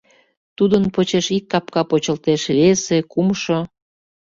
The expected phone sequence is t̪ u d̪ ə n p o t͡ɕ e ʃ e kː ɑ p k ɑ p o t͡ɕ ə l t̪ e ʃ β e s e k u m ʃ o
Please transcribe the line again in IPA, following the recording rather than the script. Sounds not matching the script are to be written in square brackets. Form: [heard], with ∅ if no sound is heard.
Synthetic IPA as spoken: t̪ u d̪ ə n p o t͡ɕ e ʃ [i] kː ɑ p k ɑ p o t͡ɕ ə l t̪ e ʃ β e s e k u m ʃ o